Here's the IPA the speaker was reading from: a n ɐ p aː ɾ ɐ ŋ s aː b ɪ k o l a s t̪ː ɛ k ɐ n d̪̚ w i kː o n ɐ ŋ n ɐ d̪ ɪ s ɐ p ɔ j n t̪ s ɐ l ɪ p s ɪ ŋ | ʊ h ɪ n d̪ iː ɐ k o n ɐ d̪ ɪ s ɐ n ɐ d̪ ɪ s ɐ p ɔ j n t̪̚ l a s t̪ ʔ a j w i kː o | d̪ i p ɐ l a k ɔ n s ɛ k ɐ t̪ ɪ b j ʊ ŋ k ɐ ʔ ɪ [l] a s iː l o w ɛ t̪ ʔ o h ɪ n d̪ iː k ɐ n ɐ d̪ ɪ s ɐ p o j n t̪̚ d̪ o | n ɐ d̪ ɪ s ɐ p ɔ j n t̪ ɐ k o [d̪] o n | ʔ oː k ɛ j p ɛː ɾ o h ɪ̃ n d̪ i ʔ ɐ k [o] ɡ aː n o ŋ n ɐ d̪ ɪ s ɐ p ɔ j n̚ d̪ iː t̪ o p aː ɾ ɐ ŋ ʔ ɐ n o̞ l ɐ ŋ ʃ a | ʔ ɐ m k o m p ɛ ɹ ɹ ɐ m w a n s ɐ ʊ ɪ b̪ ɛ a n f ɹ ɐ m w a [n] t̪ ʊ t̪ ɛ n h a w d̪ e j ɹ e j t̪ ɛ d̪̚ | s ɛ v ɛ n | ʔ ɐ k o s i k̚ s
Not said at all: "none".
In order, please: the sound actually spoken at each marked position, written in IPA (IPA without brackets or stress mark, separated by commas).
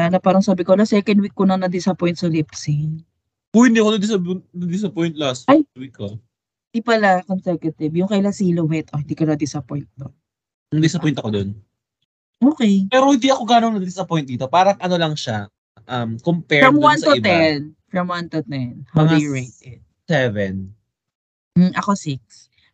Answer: l, d̪, o, n